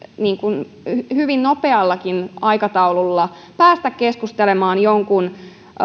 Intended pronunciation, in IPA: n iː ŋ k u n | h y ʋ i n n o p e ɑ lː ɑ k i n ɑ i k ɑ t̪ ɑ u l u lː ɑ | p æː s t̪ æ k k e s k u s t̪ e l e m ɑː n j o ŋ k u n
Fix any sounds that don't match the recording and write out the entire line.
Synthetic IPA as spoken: n iː ŋ k u n | h y ʋ i n n o p e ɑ lː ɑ k i n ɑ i k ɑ t̪ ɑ u l u lː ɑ | p æː s t̪ æ k k e s k u s t̪ e l e m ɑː n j o ŋ k u n